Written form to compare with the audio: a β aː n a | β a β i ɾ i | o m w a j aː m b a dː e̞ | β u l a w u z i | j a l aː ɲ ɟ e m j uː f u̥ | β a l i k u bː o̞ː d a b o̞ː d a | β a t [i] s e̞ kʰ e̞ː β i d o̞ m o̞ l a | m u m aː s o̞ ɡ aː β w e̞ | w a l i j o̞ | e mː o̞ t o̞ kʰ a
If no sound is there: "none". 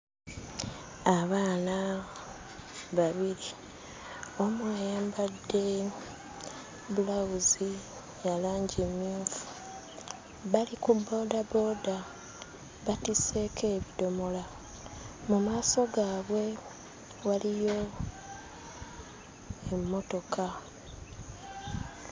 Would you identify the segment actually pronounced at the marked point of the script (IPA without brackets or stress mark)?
i